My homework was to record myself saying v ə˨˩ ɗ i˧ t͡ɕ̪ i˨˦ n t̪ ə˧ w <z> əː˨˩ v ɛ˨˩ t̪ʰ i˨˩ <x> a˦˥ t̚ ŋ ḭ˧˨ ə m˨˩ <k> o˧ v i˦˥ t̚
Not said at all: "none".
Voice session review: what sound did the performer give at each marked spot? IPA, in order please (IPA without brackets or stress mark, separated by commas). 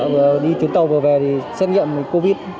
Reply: v, s, k